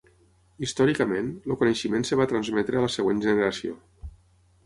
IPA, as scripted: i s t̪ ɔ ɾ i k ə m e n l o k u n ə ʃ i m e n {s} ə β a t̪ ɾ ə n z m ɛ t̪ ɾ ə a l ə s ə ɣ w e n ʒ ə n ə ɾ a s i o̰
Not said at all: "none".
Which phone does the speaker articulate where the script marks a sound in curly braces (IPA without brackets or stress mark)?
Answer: s